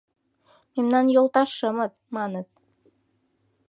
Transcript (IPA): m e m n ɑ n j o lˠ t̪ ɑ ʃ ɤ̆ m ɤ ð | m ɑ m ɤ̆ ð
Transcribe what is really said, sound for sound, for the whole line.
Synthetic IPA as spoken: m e m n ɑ n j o lˠ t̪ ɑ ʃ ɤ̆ m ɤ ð | m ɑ n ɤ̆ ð